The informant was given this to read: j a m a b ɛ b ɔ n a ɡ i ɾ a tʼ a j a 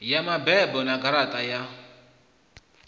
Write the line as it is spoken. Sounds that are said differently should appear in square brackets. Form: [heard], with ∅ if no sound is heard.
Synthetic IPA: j a m a b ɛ b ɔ n a ɡ [a] ɾ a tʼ a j a